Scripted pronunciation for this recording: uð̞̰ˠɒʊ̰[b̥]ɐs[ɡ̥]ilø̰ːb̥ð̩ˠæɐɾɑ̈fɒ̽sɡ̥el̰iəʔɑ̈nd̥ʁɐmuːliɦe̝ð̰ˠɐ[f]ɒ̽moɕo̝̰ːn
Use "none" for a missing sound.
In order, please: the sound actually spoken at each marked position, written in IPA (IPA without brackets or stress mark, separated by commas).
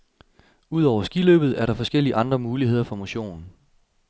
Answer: none, ɡ̥, f